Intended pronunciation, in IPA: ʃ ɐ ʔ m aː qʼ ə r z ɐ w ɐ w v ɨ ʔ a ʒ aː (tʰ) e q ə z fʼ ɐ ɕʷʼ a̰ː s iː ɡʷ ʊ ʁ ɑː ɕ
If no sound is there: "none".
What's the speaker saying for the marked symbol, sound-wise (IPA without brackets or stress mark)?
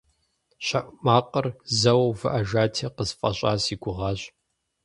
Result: tʰ